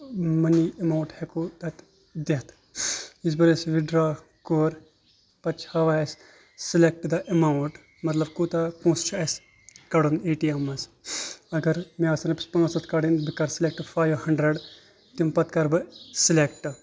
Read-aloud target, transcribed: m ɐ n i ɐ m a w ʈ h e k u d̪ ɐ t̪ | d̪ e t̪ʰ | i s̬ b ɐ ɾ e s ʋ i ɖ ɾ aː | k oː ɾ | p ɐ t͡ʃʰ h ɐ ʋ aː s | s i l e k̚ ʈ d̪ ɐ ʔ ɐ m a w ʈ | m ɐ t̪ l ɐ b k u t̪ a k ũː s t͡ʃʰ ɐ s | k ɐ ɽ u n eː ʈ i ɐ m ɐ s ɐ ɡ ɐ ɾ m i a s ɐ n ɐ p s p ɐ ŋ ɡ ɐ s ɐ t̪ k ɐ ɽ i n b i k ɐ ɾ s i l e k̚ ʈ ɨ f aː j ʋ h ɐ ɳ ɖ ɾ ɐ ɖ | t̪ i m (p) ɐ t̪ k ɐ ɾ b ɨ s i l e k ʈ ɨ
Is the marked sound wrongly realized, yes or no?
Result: no